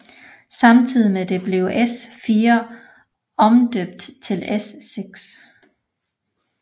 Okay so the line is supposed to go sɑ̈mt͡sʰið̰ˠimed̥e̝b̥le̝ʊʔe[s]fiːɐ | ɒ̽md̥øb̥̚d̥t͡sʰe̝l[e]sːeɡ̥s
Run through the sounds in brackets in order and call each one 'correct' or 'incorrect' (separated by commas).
correct, correct